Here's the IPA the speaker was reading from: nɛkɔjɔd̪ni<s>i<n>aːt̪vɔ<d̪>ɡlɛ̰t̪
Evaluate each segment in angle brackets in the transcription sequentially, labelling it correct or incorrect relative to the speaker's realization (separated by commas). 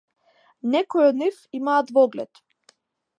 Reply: incorrect, incorrect, incorrect